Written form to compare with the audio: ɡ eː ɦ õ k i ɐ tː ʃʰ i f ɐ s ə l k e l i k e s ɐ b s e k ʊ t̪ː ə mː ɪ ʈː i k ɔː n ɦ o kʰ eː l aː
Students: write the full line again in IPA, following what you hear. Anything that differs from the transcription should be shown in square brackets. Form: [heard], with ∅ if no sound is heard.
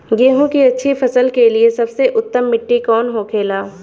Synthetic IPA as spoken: ɡ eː ɦ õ k i ɐ tː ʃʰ i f ɐ s ə l k e l i [∅] e s ɐ b s e [ʔ] ʊ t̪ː ə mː ɪ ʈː i k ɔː n ɦ o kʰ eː l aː